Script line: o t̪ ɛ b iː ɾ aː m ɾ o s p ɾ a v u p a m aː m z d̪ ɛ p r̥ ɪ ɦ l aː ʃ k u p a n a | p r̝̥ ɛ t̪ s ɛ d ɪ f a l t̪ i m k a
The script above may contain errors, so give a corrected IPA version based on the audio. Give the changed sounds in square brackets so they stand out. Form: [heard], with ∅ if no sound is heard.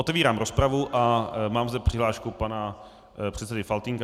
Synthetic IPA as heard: o t̪ ɛ [v] iː ɾ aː m ɾ o s p ɾ a v u [ʔ] a m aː m z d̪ ɛ p r̥ ɪ ɦ l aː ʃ k u p a n a | p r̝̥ ɛ t̪ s ɛ d ɪ f a l t̪ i [ŋ] k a